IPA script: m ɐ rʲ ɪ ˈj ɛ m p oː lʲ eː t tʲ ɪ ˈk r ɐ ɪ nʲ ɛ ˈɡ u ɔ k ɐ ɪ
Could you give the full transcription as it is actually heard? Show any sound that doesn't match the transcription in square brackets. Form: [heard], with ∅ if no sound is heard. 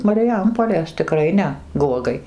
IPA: m ɐ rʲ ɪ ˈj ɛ m p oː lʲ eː [s] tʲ ɪ ˈk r ɐ ɪ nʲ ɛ ˈɡ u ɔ [ɡ] ɐ ɪ